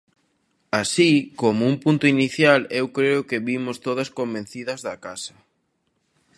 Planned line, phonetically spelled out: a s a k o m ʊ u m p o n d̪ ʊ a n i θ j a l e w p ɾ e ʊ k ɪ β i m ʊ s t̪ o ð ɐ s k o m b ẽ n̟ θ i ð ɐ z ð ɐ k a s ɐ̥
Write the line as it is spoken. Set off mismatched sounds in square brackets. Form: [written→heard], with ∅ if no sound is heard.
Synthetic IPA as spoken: a s [a→i] k o m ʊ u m p [o→u] n [d̪→t̪] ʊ [a→i] n i θ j a l e w [p→k] ɾ e ʊ k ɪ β i m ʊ s t̪ o ð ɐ s k o m b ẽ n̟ θ i ð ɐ z ð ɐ k a s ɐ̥